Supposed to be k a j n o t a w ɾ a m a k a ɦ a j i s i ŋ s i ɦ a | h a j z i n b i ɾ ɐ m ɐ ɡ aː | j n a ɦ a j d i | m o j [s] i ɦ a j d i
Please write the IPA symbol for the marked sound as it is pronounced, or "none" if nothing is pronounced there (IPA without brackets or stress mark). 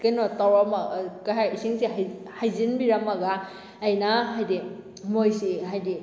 s